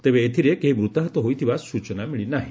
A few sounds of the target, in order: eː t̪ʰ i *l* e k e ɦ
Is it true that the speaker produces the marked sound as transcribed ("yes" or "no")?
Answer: no